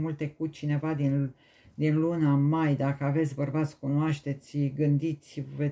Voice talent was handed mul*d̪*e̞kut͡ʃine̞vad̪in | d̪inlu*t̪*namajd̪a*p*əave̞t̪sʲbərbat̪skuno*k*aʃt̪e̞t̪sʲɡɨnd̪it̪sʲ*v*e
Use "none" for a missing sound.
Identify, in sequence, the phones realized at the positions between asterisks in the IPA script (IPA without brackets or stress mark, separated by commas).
t̪, none, k, none, v